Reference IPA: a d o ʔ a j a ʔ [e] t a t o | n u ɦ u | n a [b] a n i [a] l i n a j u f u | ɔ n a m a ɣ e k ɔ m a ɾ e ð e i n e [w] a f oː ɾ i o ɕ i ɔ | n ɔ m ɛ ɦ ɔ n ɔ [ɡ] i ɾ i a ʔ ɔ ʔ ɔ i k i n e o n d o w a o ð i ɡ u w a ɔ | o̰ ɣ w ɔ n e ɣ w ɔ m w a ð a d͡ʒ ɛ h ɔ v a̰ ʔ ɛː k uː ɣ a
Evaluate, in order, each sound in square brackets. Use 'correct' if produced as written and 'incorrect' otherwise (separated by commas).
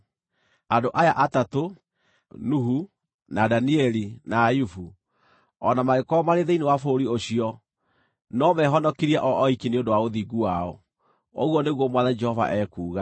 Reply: incorrect, incorrect, incorrect, correct, incorrect